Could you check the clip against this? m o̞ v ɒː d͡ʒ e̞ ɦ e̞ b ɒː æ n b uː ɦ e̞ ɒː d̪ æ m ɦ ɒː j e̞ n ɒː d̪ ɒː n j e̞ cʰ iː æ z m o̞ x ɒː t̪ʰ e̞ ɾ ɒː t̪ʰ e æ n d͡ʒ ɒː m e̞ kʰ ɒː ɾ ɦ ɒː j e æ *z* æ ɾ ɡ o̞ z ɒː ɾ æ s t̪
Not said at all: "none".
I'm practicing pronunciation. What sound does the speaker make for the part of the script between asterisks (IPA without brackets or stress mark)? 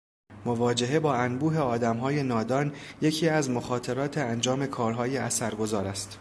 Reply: s